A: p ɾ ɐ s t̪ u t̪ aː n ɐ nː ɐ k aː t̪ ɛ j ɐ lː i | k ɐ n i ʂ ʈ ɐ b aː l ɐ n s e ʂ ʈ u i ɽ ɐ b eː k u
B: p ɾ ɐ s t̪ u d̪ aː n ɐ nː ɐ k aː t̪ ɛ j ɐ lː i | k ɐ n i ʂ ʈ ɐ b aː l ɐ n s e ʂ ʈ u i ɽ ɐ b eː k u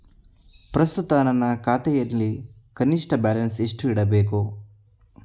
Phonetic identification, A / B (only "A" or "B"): A